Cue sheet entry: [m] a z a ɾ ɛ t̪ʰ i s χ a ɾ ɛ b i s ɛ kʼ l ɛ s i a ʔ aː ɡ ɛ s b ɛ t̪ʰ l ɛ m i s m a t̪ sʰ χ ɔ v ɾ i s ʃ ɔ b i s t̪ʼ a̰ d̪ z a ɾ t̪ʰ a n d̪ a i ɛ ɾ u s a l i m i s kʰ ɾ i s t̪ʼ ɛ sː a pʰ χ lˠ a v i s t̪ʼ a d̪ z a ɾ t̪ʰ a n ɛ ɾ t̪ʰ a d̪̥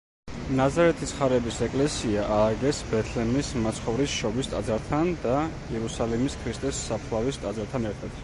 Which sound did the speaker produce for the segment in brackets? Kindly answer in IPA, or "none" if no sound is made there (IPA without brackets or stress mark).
n